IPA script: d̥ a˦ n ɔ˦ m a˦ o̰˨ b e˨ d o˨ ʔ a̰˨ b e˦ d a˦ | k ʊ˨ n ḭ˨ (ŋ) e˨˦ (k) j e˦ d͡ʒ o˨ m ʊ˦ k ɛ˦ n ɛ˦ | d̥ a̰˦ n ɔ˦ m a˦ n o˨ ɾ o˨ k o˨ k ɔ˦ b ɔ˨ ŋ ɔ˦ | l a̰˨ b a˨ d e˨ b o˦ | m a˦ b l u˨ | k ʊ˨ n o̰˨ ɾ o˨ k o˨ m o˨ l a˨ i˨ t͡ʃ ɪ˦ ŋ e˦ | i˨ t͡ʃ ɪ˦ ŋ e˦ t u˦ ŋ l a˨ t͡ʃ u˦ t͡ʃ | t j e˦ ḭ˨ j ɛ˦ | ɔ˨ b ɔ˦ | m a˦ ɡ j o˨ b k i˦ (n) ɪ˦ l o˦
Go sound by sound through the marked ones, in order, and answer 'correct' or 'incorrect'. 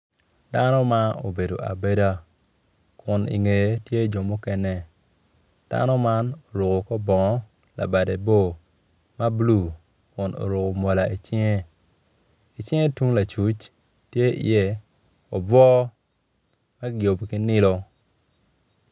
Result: correct, incorrect, correct

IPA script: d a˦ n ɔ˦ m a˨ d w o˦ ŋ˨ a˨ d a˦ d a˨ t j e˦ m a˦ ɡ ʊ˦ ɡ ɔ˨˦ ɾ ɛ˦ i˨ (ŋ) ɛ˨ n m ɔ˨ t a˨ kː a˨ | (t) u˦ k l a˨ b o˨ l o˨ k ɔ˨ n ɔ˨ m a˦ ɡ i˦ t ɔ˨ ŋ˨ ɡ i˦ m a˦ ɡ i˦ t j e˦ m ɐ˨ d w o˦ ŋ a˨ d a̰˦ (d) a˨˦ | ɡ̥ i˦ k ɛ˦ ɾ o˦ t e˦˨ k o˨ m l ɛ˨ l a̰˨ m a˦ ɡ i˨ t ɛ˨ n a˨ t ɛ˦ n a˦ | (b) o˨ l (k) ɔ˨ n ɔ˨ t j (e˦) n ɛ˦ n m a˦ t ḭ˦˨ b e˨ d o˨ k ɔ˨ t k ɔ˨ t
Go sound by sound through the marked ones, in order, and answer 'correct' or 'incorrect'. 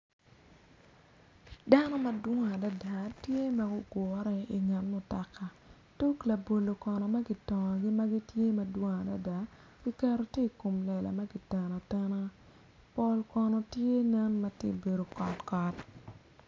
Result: correct, correct, correct, incorrect, correct, correct

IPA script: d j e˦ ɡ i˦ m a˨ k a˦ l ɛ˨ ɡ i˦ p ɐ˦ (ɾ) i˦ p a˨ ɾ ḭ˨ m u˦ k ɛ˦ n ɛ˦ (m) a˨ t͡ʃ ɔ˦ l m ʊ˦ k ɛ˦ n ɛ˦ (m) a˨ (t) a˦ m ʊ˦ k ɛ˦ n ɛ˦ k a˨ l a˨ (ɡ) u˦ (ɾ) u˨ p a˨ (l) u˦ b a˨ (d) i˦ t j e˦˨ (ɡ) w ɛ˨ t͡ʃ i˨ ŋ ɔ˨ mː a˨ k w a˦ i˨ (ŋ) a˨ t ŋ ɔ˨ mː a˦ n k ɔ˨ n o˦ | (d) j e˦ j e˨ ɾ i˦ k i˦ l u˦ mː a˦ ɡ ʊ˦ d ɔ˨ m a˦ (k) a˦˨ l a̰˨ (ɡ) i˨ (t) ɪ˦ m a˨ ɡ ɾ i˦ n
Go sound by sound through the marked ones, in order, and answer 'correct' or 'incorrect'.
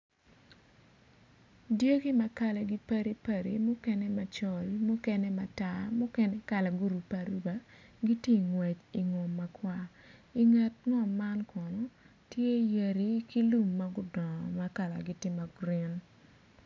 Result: correct, correct, correct, correct, correct, correct, incorrect, incorrect, incorrect, correct, incorrect, correct, correct, correct

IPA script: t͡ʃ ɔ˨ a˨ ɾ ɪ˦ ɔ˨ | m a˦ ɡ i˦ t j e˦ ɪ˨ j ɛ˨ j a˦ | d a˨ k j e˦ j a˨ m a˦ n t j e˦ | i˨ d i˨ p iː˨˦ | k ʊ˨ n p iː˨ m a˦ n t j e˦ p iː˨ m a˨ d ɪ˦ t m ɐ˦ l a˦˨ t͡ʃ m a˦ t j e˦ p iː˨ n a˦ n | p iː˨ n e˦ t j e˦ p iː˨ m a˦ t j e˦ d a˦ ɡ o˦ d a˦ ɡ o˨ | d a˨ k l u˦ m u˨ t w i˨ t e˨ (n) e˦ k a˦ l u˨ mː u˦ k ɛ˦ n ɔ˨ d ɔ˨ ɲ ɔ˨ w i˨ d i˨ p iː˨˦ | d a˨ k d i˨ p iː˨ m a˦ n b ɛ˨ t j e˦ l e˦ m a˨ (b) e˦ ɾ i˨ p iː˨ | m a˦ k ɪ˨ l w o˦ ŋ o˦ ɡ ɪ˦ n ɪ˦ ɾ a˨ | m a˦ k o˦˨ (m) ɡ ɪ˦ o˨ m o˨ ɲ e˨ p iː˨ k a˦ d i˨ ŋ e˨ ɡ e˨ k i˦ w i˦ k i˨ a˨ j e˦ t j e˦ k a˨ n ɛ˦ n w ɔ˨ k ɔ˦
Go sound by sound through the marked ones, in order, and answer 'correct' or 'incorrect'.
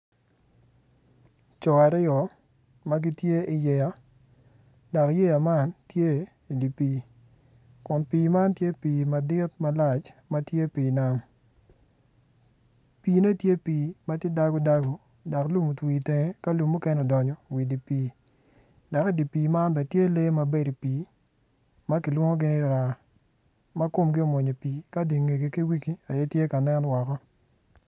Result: incorrect, correct, correct

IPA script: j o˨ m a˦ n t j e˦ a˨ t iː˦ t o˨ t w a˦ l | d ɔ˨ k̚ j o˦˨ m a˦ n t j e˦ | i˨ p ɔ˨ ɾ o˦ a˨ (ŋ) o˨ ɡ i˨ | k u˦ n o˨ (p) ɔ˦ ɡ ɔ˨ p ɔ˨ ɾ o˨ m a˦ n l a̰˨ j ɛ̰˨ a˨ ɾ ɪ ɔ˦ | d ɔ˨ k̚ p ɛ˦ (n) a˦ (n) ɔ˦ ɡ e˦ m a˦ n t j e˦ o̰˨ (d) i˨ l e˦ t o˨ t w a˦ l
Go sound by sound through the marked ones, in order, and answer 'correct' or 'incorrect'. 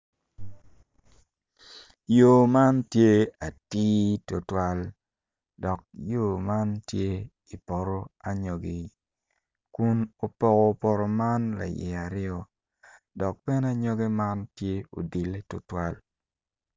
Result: incorrect, correct, correct, incorrect, correct

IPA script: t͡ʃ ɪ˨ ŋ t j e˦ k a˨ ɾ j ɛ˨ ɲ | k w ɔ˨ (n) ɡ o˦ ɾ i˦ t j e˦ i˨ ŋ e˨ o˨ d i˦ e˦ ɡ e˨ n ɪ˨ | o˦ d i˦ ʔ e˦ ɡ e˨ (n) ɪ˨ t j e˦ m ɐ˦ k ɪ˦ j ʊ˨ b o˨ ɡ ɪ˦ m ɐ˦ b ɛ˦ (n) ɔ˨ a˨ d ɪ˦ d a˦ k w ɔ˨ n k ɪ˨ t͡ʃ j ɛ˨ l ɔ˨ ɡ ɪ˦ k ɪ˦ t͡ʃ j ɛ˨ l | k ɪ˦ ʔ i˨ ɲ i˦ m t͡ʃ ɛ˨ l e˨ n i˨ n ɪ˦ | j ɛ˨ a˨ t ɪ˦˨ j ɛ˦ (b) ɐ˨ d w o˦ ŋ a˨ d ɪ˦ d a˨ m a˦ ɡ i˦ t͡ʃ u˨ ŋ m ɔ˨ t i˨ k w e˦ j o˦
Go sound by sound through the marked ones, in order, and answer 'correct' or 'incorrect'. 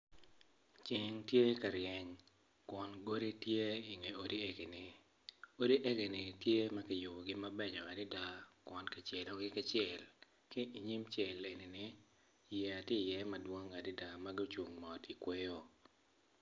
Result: correct, correct, incorrect, incorrect

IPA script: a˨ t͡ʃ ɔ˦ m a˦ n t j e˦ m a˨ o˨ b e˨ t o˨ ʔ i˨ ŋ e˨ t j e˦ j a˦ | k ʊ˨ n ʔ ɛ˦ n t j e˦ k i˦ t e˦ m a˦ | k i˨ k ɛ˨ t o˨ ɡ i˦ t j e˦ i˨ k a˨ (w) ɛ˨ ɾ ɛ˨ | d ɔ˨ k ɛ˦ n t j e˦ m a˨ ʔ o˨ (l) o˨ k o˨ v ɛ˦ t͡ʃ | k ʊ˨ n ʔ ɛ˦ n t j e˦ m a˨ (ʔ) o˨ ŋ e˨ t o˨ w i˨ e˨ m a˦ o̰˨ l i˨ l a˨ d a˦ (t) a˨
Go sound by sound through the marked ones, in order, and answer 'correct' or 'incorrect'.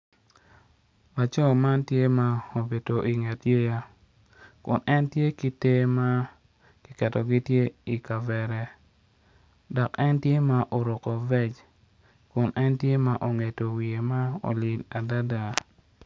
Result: incorrect, incorrect, correct, incorrect

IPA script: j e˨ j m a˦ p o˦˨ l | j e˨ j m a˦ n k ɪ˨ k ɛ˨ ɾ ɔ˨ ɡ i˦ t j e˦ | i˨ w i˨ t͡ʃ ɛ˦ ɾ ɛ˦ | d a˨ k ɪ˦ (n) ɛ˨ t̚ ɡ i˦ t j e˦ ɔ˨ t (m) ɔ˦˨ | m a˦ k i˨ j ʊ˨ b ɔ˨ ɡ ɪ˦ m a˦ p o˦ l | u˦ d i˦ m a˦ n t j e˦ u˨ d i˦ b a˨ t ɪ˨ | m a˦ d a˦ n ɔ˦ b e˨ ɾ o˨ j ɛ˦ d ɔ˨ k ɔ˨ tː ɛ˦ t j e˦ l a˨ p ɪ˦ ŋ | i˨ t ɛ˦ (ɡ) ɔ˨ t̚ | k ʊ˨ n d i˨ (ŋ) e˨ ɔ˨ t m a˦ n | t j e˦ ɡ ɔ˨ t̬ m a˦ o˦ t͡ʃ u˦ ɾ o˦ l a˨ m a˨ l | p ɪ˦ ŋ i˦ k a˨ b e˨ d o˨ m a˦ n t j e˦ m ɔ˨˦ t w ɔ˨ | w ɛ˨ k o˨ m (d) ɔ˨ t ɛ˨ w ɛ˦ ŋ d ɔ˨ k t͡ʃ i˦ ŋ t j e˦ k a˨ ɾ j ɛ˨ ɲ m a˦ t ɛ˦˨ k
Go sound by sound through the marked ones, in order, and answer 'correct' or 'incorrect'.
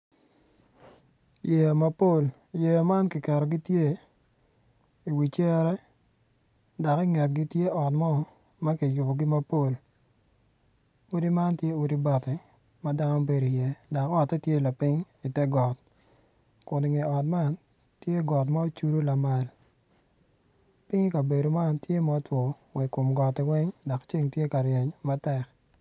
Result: incorrect, correct, correct, correct, incorrect

